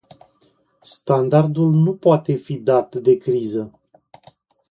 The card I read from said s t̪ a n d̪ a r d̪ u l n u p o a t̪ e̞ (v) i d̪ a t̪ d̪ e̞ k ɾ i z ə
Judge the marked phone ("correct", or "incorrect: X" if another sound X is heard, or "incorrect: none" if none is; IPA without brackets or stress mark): incorrect: f